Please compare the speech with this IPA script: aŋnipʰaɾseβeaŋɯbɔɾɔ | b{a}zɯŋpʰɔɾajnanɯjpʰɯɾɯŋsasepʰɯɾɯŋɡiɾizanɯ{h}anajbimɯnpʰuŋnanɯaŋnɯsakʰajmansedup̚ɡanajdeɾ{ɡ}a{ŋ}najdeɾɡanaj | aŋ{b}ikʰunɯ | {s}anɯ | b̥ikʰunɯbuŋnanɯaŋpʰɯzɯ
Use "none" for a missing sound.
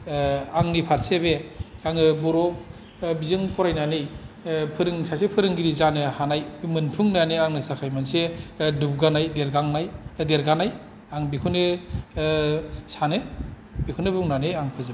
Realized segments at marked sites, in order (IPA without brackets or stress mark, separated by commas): i, h, ɡ, ŋ, b, s